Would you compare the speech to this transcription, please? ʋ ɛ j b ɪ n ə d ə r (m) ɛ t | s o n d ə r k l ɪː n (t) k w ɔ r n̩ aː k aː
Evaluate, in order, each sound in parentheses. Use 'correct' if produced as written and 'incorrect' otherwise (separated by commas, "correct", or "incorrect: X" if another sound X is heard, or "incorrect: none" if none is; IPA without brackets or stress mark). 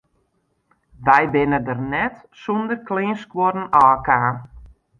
incorrect: n, incorrect: s